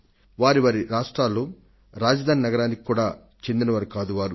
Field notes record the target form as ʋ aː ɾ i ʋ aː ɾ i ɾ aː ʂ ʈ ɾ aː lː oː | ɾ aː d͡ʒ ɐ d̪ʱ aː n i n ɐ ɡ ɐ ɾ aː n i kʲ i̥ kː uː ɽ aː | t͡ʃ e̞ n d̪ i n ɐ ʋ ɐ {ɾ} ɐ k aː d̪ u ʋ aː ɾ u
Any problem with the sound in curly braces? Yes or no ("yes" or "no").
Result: no